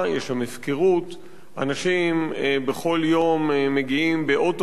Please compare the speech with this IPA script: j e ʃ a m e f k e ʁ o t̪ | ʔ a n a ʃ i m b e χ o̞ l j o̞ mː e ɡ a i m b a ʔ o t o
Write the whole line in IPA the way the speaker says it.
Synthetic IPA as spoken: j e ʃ a m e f k e ʁ u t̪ | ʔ a n a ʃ i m b e χ o̞ l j o̞ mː e ɡ i i m b e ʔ o t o